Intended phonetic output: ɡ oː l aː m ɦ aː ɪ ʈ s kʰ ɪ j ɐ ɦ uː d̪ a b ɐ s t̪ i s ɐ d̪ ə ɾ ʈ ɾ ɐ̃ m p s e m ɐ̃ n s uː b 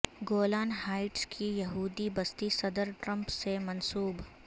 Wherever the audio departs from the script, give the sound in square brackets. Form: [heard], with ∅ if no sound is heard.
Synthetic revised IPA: ɡ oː l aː [n] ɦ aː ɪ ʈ s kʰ [i] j ɐ ɦ uː d̪ [i] b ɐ s t̪ i s ɐ d̪ ə ɾ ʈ ɾ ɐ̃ m p s e m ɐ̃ n s uː b